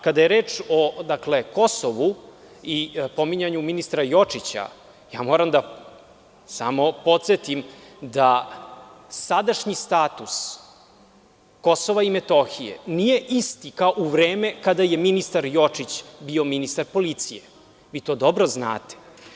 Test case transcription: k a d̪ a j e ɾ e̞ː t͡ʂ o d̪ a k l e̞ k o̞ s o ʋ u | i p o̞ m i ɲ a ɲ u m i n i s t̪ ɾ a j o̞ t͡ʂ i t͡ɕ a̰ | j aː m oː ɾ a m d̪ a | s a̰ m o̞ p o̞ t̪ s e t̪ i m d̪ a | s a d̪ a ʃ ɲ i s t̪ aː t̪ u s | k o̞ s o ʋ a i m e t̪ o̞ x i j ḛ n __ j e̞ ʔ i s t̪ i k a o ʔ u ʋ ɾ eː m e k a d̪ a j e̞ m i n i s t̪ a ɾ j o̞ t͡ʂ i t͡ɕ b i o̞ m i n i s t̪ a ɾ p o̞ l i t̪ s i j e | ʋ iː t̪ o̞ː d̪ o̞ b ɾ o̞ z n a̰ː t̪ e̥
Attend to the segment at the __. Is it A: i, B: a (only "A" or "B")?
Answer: A